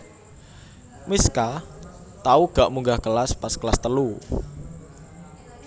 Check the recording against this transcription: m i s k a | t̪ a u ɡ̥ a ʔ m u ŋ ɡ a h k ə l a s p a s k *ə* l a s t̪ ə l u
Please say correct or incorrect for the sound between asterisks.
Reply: correct